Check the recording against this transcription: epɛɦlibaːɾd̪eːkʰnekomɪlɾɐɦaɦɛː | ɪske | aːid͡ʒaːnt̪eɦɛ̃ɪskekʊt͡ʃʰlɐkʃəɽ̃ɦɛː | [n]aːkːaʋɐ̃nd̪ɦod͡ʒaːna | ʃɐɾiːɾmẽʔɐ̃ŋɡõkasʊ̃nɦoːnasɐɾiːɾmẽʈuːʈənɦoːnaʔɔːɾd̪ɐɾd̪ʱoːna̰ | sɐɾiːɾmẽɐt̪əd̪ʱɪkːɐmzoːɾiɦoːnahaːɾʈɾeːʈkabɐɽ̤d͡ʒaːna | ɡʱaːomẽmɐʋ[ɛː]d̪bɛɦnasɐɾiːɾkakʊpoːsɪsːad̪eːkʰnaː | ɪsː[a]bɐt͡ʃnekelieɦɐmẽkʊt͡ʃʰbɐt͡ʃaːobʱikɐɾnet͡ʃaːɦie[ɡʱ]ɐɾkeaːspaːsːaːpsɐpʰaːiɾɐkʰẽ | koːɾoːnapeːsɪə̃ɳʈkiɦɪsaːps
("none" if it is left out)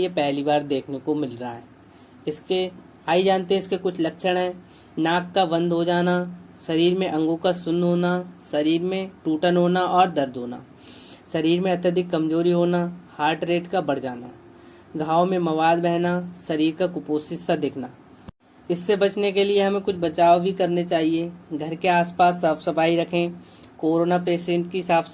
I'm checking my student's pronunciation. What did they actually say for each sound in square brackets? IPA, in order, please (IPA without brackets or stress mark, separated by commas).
n, aː, e, ɡʱ